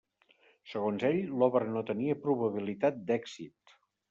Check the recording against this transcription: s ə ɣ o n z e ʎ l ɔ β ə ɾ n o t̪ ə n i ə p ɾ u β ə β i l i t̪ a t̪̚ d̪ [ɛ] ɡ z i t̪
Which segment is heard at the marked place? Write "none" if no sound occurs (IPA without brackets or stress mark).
ɛ